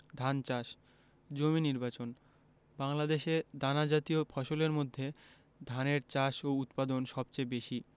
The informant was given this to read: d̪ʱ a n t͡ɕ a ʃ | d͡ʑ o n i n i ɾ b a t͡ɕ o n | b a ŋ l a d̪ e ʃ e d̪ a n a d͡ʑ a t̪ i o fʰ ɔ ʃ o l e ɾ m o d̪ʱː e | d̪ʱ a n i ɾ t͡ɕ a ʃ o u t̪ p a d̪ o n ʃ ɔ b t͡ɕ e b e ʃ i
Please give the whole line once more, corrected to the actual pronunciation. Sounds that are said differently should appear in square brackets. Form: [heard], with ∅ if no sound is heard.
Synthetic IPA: d̪ʱ a n t͡ɕ a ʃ | d͡ʑ o [m] i n i ɾ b a t͡ɕ o n | b a ŋ l a d̪ e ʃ e d̪ a n a d͡ʑ a t̪ i o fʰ ɔ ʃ o l e ɾ m o d̪ʱː e | d̪ʱ a n [e] ɾ t͡ɕ a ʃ o u t̪ p a d̪ o n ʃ ɔ b t͡ɕ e b e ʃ i